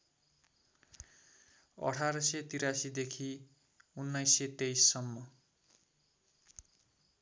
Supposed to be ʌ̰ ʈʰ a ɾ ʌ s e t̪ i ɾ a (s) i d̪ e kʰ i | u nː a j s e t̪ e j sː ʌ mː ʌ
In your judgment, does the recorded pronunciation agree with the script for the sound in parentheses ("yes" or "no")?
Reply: yes